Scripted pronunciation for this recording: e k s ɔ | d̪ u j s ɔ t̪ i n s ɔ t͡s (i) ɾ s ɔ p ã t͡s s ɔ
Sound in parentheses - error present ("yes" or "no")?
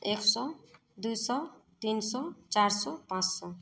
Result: yes